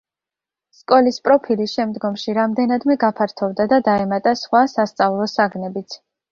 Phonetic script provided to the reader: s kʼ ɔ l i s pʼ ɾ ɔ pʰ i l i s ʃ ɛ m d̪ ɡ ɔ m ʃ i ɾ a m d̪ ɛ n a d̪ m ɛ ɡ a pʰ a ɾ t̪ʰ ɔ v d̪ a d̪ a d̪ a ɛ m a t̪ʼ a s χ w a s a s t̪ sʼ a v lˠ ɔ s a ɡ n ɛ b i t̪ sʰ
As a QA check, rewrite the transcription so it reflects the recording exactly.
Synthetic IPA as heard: s kʼ ɔ l i s pʼ ɾ ɔ pʰ i l i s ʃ ɛ m d̪ ɡ ɔ m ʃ i ɾ a m d̪ ɛ n a d̪ m ɛ ɡ a pʰ a ɾ t̪ʰ ɔ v d̪ a d̪ a d̪ a ɛ m a t̪ʼ a s χ w a s a s t̪ sʼ a v lˠ ɔ s a ɡ n ɛ b i t̪ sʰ